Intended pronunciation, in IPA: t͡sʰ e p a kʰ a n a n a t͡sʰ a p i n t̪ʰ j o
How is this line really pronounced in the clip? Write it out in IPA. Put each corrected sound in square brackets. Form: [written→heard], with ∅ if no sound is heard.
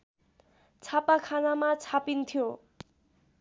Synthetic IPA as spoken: t͡sʰ [e→a] p a kʰ a n a [n→m] a t͡sʰ a p i n t̪ʰ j o